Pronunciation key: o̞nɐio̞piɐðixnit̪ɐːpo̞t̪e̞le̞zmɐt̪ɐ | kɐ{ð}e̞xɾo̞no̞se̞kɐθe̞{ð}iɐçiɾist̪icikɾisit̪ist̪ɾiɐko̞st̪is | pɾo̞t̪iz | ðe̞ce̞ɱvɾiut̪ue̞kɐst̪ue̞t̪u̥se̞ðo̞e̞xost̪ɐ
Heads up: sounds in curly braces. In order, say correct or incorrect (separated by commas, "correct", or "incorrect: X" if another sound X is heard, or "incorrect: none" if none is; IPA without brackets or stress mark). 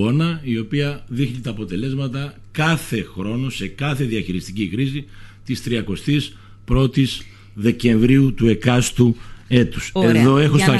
incorrect: θ, correct